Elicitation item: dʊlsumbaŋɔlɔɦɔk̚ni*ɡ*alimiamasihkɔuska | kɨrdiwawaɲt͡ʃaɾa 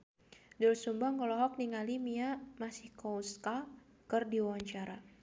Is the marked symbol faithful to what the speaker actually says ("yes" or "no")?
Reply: no